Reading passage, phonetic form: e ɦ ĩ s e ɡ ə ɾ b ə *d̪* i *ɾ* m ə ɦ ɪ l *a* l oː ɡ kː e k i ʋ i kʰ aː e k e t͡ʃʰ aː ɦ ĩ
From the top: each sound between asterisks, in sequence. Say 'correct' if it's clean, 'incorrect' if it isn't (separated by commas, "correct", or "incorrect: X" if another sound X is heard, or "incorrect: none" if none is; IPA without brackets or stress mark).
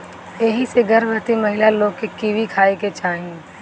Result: incorrect: t̪, incorrect: none, correct